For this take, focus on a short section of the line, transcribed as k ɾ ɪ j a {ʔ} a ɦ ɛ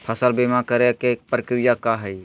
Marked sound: incorrect: k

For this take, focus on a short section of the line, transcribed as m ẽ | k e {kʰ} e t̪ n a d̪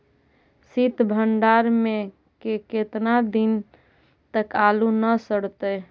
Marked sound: incorrect: k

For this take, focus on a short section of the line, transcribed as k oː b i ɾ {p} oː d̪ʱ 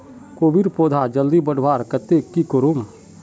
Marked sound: correct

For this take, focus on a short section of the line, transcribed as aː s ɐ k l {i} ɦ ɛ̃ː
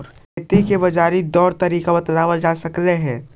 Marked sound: incorrect: e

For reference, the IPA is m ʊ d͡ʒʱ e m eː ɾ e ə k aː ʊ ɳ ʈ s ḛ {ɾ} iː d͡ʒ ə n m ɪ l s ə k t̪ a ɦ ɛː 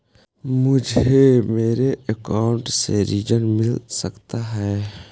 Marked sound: correct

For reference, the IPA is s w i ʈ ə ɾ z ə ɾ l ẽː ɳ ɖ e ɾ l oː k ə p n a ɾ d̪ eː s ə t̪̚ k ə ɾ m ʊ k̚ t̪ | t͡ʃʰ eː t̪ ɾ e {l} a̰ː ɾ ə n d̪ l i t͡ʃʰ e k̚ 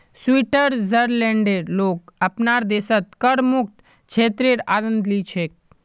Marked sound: incorrect: ɾ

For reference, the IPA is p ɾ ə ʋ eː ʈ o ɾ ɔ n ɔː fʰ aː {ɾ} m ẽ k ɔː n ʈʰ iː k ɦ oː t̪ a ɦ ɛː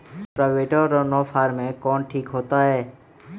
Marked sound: correct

